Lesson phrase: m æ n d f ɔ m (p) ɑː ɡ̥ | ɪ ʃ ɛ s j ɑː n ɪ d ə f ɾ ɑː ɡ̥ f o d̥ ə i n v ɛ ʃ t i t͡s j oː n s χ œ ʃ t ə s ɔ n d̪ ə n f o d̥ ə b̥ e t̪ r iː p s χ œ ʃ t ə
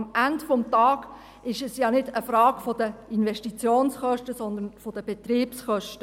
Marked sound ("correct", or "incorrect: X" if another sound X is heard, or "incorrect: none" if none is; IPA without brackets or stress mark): incorrect: t